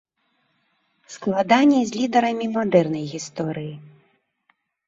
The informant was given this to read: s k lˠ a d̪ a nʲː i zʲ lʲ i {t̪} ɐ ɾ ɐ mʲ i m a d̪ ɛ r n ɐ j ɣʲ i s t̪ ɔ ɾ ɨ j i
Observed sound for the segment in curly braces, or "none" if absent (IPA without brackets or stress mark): d̪